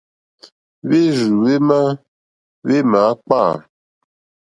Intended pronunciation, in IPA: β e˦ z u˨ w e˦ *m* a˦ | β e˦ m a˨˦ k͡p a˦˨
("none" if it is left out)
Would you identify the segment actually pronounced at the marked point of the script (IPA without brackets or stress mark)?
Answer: m